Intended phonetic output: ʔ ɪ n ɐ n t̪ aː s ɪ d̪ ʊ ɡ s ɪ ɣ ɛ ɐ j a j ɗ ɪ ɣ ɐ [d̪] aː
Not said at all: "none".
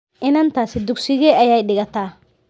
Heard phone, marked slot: t̪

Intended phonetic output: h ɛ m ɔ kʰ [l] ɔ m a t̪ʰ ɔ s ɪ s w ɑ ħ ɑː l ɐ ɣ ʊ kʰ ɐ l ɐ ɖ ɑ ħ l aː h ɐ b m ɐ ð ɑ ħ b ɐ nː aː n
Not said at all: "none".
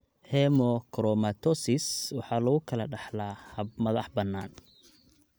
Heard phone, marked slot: ɾ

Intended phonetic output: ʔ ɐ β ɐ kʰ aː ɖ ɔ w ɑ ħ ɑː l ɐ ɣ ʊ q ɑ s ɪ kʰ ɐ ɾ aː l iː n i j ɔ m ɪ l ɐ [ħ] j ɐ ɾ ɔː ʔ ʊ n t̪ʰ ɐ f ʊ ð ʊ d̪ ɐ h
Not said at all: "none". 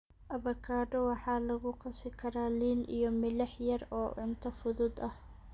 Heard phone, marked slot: ħ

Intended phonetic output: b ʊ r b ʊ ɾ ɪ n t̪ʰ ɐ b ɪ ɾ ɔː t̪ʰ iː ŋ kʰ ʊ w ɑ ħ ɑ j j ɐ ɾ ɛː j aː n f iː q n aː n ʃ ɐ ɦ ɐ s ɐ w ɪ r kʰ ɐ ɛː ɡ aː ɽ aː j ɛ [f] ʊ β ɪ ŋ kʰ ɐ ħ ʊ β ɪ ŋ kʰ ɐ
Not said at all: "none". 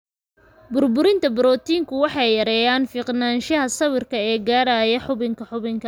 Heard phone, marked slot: ħ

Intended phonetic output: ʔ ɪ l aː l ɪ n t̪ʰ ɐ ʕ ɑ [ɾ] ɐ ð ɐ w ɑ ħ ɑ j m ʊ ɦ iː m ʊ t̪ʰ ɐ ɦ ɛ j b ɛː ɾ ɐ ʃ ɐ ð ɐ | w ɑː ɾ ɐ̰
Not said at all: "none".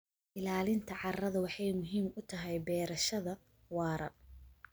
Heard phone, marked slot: r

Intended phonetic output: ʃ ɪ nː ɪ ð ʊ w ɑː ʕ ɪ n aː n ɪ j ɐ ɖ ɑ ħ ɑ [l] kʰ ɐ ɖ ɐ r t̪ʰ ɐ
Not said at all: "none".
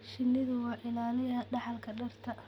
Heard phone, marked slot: l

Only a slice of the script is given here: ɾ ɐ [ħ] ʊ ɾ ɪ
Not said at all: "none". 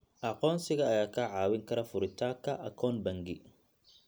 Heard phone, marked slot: f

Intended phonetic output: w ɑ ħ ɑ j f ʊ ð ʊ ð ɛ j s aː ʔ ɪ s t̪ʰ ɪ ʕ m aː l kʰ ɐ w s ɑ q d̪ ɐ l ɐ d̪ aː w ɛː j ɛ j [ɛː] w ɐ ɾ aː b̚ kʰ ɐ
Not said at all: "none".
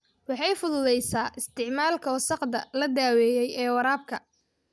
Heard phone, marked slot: ɛː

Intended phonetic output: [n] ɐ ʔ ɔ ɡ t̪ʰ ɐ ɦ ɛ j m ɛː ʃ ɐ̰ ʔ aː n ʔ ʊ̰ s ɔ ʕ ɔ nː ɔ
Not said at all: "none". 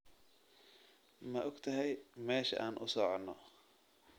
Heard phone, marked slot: m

